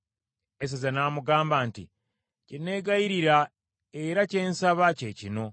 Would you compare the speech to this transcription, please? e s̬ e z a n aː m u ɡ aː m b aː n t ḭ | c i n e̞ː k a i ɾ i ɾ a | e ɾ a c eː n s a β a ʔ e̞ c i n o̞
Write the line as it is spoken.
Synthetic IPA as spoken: e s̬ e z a n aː m u ɡ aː m b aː n t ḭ | c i n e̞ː ɡ a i ɾ i ɾ a | e ɾ a c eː n s a β a c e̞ c i n o̞